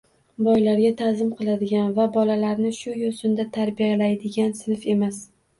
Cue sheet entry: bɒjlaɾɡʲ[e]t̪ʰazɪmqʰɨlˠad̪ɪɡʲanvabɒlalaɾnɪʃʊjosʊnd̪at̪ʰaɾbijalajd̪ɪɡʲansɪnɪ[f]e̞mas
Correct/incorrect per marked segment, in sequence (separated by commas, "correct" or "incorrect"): incorrect, correct